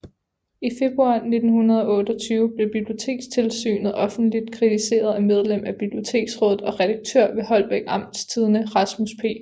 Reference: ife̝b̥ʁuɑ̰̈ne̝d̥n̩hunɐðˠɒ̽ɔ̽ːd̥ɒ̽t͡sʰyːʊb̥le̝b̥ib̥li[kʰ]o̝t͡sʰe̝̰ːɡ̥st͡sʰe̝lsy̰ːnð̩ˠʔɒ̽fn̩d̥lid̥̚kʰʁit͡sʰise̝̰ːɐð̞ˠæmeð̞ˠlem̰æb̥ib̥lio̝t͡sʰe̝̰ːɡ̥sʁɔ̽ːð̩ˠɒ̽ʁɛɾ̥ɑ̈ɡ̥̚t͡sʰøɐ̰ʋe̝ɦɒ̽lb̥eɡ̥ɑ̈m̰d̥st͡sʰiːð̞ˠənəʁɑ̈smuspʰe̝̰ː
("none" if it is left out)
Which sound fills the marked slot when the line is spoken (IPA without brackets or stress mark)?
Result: none